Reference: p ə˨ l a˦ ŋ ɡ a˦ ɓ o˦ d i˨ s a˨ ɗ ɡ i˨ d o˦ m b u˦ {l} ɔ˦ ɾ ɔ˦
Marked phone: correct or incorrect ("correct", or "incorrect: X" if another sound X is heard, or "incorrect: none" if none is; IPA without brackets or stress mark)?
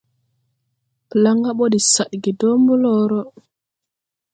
correct